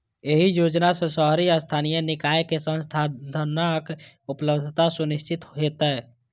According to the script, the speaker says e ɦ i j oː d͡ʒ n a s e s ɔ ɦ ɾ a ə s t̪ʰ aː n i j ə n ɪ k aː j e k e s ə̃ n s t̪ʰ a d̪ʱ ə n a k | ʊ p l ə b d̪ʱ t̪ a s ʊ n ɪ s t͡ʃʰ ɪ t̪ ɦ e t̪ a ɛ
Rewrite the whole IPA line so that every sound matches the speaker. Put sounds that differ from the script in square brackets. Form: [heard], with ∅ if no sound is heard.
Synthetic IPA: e ɦ i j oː d͡ʒ n a s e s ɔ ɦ ɾ [i] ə s t̪ʰ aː n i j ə n ɪ k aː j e k e s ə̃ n s t̪ʰ a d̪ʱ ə n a k | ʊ p l ə b d̪ʱ t̪ a s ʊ n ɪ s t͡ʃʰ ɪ t̪ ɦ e t̪ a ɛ